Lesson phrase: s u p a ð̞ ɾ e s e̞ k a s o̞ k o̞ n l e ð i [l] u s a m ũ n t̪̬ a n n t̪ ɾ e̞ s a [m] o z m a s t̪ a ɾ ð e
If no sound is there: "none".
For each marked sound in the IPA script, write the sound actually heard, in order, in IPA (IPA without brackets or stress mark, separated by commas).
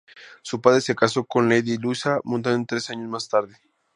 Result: l, ɲ